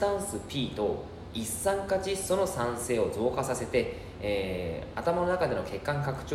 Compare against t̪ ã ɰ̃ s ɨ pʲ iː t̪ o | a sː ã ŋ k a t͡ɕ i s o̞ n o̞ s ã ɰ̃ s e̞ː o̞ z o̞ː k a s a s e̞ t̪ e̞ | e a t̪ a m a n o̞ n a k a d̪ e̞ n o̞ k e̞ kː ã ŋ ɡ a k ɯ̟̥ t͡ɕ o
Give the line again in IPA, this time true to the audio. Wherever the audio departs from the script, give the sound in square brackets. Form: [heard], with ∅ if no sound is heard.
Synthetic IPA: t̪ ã ɰ̃ s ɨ pʲ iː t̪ o | [i] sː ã ŋ k a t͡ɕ i s o̞ n o̞ s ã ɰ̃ s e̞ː o̞ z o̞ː k a s a s e̞ t̪ e̞ | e a t̪ a m a n o̞ n a k a d̪ e̞ n o̞ k e̞ kː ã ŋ [k] a k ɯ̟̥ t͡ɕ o